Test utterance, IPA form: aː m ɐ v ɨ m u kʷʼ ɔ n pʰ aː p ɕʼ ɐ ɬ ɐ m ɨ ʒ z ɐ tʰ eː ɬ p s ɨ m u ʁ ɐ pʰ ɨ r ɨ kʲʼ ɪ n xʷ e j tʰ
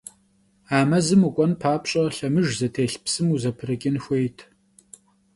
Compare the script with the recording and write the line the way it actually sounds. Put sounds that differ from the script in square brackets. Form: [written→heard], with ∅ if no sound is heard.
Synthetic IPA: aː m ɐ [v→z] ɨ m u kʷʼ ɔ n pʰ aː p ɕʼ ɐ ɬ ɐ m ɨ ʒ z ɐ tʰ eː ɬ p s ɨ m u [ʁ→z] ɐ pʰ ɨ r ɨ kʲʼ ɪ n xʷ e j tʰ

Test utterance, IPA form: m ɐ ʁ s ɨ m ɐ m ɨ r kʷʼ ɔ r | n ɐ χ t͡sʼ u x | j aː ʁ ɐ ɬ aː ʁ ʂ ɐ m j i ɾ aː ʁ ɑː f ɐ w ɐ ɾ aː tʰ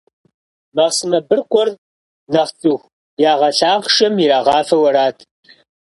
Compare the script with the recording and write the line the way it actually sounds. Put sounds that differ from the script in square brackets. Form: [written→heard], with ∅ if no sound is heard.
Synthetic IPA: m ɐ ʁ s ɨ m ɐ [m→b] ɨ r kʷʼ ɔ r | n ɐ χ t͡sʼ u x | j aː ʁ ɐ ɬ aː ʁ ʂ ɐ m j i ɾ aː ʁ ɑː f ɐ w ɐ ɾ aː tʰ

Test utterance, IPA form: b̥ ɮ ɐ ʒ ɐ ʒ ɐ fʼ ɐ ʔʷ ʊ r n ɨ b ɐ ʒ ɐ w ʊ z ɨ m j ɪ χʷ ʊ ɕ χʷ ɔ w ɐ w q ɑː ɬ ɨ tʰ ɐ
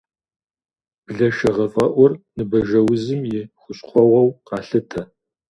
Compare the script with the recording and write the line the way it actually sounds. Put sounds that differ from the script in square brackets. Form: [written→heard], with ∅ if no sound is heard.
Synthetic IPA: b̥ ɮ ɐ [ʒ→ʃ] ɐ [ʒ→ʁ] ɐ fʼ ɐ ʔʷ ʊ r n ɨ b ɐ ʒ ɐ w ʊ z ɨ m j ɪ χʷ ʊ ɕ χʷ ɔ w ɐ w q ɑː ɬ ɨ tʰ ɐ

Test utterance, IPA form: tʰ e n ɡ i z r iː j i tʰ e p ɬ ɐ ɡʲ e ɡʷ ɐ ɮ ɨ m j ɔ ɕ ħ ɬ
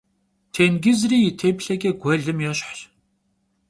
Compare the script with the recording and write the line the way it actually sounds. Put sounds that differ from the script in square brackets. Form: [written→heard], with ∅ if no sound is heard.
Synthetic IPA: tʰ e n ɡ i z r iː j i tʰ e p ɬ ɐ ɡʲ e ɡʷ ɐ ɮ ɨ m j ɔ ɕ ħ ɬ

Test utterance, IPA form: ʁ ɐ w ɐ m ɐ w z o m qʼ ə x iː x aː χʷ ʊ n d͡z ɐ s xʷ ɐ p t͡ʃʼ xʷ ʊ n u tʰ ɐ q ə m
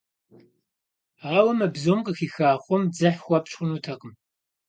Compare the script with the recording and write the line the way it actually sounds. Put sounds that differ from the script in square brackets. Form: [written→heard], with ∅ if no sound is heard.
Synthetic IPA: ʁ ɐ w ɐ m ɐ [w→b] z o m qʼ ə x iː x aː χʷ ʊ [n→m] d͡z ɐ [s→ħ] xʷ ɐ p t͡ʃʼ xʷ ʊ n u tʰ ɐ q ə m

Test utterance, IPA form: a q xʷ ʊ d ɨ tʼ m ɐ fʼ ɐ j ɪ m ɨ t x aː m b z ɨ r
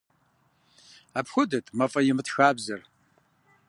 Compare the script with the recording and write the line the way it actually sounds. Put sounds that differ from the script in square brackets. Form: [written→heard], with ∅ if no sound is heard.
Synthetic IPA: a [q→p] xʷ ʊ d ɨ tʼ m ɐ fʼ ɐ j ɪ m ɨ t x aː [m→∅] b z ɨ r

